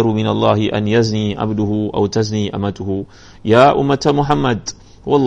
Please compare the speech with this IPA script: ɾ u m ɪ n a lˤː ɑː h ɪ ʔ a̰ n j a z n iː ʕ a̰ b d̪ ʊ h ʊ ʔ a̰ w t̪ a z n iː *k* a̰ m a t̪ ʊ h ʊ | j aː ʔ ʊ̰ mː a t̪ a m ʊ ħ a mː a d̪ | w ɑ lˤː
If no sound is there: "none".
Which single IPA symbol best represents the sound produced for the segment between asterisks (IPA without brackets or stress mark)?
ʔ